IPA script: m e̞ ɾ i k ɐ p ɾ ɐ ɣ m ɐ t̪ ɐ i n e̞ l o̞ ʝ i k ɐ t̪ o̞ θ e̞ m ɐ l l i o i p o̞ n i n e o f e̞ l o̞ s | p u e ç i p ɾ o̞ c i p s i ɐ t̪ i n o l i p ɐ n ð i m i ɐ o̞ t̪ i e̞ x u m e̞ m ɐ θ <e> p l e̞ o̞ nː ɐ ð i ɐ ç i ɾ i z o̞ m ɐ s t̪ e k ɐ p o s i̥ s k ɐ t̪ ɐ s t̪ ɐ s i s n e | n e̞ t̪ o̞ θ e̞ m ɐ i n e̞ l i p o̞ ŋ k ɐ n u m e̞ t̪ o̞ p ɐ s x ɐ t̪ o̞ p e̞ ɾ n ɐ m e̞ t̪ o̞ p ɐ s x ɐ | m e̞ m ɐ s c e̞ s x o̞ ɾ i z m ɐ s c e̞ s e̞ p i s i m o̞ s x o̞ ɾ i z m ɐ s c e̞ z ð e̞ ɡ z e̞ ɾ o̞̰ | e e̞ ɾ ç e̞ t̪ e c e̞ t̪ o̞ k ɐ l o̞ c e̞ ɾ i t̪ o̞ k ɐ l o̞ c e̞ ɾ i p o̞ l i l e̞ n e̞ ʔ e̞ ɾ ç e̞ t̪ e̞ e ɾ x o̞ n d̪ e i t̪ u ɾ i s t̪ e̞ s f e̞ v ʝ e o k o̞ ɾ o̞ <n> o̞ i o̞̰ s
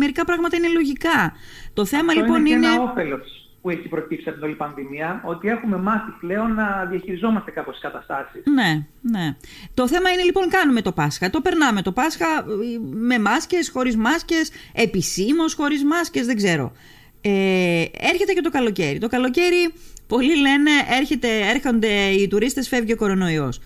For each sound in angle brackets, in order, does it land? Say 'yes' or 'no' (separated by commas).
no, yes